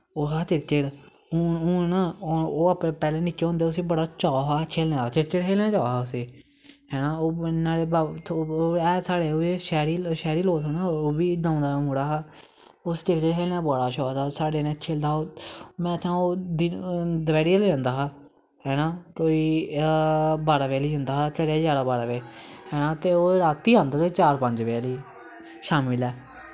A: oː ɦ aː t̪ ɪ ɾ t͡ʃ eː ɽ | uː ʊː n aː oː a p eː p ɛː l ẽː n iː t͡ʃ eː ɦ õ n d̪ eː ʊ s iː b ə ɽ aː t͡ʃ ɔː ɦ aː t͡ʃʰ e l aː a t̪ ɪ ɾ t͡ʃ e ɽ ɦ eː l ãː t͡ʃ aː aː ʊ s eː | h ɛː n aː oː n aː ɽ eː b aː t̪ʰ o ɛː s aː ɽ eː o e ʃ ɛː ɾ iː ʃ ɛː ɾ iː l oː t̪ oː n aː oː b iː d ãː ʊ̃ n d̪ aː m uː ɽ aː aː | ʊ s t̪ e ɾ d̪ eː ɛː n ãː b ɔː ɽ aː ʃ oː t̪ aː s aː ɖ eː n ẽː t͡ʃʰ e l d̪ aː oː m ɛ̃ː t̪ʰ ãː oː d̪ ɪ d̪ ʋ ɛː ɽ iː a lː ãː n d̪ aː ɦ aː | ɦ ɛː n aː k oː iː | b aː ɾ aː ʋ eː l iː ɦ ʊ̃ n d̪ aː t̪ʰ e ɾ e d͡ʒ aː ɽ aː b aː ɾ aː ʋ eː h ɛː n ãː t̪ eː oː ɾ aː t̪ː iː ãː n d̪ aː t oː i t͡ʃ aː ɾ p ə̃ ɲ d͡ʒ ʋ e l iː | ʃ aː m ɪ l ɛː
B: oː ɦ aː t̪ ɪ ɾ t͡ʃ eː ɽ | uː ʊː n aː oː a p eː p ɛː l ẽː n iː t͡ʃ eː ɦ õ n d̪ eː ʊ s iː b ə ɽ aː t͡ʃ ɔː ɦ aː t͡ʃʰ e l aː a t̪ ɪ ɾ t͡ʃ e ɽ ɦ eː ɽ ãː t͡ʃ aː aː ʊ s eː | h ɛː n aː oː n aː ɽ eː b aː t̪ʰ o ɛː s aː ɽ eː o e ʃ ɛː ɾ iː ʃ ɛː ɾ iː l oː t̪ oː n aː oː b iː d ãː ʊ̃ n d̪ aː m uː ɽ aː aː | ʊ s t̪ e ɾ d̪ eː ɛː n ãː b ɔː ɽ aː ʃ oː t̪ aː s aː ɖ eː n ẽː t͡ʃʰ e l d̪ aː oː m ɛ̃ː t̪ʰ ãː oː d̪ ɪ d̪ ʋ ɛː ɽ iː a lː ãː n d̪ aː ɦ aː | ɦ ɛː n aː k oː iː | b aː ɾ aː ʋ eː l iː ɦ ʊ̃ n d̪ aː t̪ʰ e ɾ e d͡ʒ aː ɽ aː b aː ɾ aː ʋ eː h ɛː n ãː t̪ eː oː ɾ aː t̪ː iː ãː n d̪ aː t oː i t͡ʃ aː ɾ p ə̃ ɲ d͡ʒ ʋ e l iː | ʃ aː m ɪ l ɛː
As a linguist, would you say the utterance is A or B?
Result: A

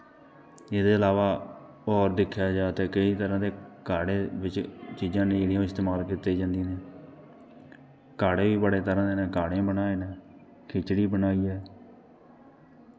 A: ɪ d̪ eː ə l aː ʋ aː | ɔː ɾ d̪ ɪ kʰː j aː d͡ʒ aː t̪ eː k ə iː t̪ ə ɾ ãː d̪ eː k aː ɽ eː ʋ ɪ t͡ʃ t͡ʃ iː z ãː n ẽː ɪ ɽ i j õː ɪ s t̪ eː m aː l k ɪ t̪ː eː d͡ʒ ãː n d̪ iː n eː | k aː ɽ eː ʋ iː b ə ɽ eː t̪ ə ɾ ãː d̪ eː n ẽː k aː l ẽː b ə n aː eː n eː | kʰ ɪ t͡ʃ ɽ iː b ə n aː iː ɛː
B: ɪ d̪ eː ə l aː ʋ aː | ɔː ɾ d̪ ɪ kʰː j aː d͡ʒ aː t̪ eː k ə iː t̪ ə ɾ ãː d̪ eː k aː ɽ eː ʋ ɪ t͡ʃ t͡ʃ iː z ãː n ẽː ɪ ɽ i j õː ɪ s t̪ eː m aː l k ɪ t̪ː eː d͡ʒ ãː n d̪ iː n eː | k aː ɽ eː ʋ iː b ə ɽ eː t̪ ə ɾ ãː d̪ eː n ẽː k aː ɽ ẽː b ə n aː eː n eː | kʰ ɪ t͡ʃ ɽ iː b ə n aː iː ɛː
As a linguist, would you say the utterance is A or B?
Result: B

